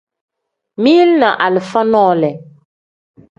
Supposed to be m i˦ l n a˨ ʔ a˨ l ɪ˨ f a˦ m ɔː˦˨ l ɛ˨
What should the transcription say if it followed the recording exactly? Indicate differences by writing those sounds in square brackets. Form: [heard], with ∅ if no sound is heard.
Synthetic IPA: m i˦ l n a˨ ʔ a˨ l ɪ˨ f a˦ [n] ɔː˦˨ l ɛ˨